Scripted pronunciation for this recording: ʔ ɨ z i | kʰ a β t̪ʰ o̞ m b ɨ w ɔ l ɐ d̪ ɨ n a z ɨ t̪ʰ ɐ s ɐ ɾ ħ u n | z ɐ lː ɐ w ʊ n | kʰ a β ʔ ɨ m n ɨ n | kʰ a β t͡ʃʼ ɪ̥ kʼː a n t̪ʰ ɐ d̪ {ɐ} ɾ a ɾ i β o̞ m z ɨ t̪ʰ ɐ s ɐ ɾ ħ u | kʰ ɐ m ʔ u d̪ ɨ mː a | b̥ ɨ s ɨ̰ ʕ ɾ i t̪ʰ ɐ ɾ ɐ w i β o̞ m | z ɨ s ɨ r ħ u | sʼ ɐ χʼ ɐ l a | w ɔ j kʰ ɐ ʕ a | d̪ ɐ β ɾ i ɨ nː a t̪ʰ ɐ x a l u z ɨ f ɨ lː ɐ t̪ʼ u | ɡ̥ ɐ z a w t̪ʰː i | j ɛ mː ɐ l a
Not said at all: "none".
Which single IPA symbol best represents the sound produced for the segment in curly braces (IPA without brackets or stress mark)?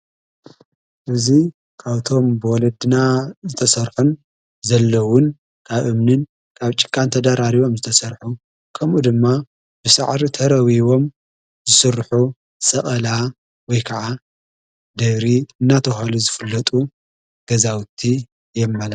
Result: a